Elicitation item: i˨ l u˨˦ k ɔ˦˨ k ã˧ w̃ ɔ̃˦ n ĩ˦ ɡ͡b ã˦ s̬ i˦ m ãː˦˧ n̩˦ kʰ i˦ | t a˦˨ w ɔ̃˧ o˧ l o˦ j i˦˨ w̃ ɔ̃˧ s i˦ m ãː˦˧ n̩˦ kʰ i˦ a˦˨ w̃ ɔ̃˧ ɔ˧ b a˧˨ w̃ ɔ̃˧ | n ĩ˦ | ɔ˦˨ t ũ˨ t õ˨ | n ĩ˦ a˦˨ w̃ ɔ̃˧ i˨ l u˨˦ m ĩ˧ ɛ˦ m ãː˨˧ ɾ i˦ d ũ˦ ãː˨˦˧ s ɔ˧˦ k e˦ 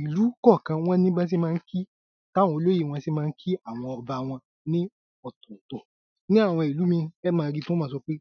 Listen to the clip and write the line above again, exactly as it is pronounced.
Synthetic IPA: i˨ l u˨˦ k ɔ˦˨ k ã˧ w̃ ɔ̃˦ n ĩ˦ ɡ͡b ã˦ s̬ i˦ m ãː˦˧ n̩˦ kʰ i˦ | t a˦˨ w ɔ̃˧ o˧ l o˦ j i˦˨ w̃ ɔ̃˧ s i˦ m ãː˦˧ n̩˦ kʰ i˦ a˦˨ w̃ ɔ̃˧ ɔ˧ b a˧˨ w̃ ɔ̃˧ | n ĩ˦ | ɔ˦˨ t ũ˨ t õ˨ | n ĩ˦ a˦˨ w̃ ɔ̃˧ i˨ l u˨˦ m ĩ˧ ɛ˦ m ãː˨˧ ɾ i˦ t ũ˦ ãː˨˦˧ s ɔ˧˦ k͡p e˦